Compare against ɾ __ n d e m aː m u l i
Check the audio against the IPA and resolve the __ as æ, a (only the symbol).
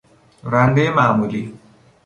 a